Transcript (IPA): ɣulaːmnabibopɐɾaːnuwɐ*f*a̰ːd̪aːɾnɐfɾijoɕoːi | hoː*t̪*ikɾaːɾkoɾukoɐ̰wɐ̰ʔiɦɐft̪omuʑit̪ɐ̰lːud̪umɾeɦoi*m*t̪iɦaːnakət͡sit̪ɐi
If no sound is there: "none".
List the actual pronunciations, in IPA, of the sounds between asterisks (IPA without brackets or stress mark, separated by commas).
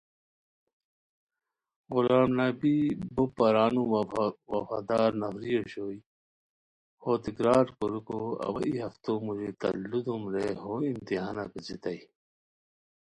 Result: f, t̪, m